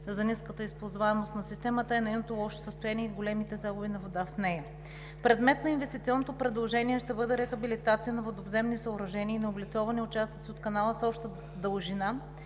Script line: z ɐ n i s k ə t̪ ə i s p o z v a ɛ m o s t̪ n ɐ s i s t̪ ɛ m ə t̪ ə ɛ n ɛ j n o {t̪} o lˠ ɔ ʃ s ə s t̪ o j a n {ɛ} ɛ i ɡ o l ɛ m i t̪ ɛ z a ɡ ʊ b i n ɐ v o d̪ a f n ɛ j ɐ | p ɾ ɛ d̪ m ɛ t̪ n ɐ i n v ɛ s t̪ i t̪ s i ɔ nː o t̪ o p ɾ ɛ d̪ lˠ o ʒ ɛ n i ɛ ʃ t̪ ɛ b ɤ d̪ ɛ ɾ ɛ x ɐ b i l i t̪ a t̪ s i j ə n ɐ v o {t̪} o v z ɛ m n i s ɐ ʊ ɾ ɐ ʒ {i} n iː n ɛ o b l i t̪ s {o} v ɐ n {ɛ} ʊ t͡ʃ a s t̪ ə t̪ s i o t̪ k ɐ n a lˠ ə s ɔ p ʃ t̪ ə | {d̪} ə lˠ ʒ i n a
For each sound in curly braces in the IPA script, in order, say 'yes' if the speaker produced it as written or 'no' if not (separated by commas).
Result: yes, no, no, no, no, no, yes